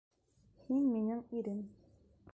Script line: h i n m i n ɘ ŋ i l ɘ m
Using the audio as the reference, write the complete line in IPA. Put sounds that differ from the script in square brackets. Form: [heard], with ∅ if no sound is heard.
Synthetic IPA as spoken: h i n m i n ɘ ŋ i [ɾ] ɘ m